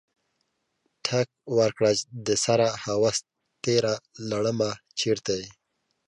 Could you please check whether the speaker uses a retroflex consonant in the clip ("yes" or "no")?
yes